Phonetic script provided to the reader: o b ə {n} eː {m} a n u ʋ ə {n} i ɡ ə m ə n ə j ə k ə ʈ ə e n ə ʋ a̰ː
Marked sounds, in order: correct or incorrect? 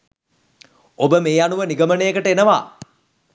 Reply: incorrect, incorrect, correct

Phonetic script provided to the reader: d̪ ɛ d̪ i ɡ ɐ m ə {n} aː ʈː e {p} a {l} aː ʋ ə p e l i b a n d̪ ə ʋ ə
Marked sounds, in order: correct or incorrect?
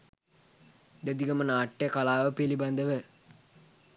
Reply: correct, incorrect, correct

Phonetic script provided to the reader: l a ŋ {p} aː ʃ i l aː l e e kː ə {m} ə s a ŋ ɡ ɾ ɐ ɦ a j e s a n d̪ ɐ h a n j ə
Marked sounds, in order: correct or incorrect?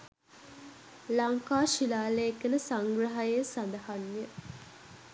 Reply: incorrect, incorrect

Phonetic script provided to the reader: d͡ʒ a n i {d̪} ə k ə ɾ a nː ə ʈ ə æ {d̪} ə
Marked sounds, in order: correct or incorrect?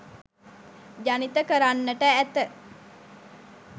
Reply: incorrect, incorrect

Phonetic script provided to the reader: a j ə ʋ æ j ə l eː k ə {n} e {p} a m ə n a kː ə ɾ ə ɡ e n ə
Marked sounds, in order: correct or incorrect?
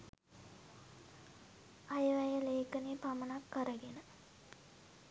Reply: correct, correct

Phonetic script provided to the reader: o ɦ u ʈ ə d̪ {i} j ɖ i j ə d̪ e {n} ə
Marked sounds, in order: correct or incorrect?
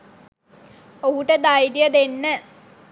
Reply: incorrect, incorrect

